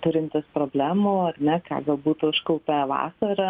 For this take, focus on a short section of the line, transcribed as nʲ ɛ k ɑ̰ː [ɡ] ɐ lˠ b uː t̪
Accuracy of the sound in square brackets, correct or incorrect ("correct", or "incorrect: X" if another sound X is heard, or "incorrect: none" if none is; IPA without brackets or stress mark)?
correct